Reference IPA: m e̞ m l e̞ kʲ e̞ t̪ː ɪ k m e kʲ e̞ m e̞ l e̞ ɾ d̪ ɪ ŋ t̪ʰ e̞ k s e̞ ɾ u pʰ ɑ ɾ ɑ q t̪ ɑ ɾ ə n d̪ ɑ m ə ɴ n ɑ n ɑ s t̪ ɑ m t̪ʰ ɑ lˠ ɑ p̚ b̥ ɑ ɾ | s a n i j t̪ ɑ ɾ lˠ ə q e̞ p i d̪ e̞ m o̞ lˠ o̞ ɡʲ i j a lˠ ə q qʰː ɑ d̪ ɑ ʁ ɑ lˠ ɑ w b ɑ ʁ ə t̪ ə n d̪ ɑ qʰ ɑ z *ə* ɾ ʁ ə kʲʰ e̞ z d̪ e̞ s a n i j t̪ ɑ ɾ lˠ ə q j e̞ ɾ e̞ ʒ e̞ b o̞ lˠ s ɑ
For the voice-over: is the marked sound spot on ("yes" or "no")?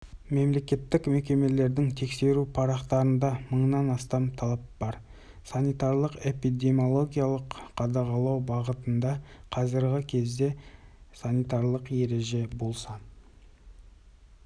yes